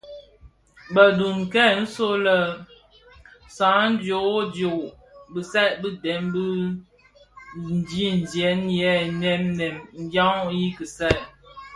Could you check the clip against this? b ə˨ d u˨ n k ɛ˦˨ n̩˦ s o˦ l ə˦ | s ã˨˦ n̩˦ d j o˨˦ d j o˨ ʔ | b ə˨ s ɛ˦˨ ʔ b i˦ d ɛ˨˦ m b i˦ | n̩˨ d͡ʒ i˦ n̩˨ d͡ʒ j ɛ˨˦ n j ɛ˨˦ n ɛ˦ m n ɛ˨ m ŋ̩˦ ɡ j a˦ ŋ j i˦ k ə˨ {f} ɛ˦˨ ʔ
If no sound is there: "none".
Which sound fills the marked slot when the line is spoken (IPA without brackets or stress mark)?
s